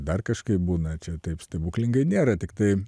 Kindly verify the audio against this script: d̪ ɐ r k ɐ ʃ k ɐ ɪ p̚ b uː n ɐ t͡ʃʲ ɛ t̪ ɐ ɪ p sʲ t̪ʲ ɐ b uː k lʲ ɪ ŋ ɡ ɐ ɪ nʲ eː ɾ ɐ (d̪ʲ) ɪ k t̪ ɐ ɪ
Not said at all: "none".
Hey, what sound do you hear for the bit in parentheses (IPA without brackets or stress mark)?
t̪ʲ